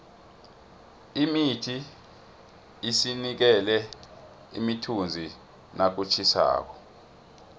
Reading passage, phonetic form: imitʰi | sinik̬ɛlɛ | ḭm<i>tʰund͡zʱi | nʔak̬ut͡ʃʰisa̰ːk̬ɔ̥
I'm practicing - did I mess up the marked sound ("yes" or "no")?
no